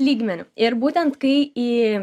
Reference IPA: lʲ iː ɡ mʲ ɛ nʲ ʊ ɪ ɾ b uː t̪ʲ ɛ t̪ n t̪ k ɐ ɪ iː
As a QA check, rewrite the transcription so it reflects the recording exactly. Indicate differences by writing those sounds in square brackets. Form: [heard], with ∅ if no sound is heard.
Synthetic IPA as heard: lʲ iː ɡ mʲ ɛ nʲ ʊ ɪ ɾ b uː t̪ʲ ɛ [∅] n t̪ k ɐ ɪ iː